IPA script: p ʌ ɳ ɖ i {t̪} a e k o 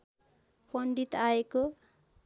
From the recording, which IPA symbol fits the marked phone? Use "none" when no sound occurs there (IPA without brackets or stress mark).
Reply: t̪